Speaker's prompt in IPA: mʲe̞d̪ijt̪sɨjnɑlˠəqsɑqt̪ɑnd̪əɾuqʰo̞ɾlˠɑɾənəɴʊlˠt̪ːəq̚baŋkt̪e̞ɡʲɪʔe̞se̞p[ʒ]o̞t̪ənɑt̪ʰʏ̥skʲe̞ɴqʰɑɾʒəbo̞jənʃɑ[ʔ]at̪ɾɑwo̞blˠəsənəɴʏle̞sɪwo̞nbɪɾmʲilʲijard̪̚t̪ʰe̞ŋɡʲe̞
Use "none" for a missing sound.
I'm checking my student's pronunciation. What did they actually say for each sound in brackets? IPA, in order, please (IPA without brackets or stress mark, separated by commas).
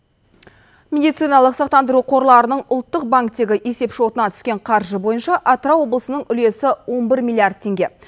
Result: ʃ, ʔ